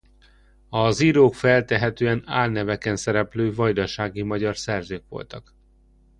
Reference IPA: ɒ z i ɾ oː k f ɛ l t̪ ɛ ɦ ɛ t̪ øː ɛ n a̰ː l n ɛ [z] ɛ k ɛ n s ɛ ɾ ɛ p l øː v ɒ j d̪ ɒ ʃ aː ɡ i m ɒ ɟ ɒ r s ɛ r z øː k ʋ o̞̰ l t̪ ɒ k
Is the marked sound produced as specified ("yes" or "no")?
no